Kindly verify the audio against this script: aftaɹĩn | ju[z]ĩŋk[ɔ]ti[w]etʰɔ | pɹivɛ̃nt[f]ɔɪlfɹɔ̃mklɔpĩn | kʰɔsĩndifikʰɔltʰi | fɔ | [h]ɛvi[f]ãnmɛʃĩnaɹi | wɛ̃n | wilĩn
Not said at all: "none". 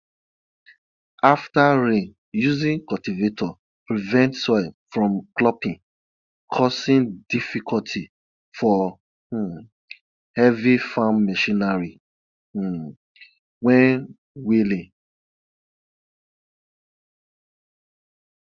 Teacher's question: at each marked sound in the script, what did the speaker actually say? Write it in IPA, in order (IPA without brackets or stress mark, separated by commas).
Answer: z, ɔ, v, s, h, f